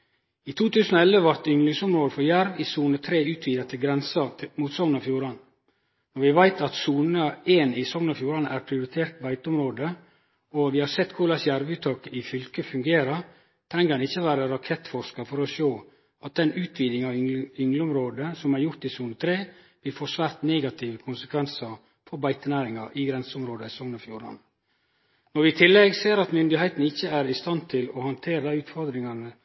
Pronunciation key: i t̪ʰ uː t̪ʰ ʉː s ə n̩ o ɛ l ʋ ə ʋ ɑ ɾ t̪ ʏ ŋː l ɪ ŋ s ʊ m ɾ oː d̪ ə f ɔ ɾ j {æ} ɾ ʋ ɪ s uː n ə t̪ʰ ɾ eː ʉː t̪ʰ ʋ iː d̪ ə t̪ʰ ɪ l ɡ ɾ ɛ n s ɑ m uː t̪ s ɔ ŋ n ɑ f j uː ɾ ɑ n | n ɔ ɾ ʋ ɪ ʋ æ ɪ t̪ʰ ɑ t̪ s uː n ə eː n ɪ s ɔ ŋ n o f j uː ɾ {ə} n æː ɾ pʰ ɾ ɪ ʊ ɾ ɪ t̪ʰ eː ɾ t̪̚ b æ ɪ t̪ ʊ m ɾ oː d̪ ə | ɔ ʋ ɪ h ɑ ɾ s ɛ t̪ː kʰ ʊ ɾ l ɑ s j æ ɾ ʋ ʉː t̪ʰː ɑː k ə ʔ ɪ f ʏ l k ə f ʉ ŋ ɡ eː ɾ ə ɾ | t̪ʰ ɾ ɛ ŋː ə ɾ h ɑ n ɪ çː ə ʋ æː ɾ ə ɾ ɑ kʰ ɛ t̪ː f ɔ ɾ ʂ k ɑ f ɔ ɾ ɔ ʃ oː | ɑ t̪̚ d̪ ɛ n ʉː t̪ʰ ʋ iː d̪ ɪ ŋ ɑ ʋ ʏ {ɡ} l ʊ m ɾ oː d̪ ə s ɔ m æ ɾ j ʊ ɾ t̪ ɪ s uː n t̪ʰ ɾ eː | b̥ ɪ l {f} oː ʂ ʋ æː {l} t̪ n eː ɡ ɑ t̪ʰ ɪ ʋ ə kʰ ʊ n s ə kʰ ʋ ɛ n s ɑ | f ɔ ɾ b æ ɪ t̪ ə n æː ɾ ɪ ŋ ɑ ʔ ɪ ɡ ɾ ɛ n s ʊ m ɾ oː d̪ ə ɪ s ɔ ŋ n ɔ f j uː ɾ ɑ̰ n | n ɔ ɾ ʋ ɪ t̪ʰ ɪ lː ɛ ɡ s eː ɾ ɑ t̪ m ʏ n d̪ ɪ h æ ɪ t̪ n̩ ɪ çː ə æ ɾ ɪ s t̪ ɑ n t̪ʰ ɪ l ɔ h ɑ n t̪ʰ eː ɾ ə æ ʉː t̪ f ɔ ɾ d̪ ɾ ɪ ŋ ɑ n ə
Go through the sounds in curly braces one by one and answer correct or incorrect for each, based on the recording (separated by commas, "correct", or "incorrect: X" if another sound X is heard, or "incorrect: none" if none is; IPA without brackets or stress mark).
correct, incorrect: ɑ, incorrect: ŋ, correct, incorrect: ɾ